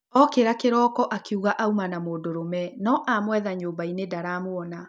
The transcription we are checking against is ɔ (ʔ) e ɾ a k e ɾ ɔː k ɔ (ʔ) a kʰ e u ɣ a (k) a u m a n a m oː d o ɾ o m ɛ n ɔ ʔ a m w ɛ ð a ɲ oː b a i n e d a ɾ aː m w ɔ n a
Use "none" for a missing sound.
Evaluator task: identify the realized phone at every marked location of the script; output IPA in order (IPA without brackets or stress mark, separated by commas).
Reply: k, ʔ, ʔ